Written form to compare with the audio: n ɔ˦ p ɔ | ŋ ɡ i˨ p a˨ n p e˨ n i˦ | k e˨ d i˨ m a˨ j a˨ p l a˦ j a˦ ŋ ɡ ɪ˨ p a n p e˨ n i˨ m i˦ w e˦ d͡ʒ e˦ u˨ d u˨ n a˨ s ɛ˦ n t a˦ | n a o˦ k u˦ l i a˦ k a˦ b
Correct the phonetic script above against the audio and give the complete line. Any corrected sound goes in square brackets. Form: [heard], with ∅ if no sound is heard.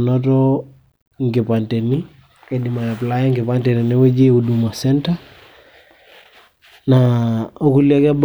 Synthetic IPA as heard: n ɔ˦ [t] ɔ | ŋ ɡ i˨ p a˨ n [t] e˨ n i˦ | k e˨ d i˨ m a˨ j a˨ p l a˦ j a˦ ŋ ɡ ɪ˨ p a n [t] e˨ n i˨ [n] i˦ w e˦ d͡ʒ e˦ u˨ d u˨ [m] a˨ s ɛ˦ n t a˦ | n a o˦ k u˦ l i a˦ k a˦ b